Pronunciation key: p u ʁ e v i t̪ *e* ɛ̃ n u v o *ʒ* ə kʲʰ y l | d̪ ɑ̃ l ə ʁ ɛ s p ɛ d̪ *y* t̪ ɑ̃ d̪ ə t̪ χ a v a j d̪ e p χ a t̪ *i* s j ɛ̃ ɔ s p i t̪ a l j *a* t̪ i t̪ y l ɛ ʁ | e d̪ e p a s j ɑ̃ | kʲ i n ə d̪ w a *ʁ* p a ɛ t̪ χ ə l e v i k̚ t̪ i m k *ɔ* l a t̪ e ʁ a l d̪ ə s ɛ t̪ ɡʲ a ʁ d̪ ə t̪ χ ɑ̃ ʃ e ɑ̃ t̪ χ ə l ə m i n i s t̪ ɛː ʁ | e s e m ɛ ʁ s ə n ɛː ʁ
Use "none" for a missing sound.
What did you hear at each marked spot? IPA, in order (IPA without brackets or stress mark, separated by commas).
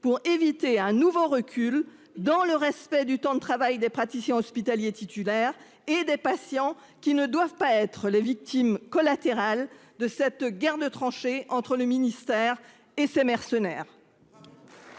e, ʁ, y, i, e, v, ɔ